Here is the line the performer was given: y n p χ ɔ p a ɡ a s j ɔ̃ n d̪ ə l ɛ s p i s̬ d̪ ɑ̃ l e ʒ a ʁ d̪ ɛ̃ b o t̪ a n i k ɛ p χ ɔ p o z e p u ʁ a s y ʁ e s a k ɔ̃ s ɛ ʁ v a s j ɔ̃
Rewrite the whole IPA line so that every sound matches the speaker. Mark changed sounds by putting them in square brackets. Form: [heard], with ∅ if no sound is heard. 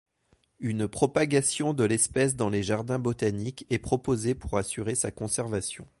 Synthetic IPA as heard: y n p χ ɔ p a ɡ a s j ɔ̃ [∅] d̪ ə l ɛ s p [ɛ] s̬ d̪ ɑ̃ l e ʒ a ʁ d̪ ɛ̃ b o t̪ a n i k ɛ p χ ɔ p o z e p u ʁ a s y ʁ e s a k ɔ̃ s ɛ ʁ v a s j ɔ̃